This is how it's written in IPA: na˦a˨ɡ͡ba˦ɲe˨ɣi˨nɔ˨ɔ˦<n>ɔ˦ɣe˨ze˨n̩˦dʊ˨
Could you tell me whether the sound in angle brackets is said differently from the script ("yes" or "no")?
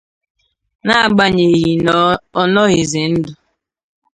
no